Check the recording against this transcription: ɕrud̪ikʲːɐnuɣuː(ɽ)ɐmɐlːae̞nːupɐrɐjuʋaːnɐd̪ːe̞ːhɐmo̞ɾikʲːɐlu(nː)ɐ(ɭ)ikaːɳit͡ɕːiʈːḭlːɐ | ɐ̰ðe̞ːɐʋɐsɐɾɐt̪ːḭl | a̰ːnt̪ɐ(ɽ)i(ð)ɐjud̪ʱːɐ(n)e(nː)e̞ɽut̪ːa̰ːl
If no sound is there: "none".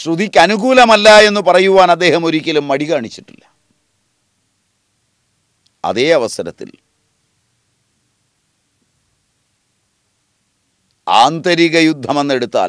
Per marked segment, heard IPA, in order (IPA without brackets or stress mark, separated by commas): l, mː, ɽ, ɾ, ɣ, m, nː